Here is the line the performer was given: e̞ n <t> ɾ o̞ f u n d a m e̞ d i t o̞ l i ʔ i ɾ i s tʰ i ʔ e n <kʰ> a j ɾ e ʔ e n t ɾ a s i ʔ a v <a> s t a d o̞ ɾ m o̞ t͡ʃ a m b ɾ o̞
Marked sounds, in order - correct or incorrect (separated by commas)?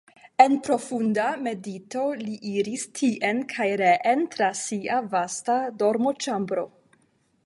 incorrect, correct, correct